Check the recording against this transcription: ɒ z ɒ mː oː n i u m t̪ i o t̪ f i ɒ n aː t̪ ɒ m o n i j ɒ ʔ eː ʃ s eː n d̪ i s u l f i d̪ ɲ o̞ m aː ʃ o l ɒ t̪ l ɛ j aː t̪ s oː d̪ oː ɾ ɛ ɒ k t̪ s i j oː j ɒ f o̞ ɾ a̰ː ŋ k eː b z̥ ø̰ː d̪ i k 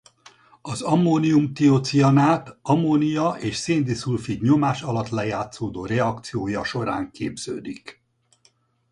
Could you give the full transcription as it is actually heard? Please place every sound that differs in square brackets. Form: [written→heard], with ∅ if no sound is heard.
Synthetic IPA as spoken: ɒ z ɒ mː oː n i u m t̪ i o t̪ [f→s] i ɒ n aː t̪ ɒ m o n i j ɒ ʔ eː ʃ s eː n d̪ i s u l f i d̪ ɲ o̞ m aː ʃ [o→ɒ] l ɒ t̪ l ɛ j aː t̪ s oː d̪ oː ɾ ɛ ɒ k t̪ s i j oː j ɒ [f→ʃ] o̞ ɾ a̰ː ŋ k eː b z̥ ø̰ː d̪ i k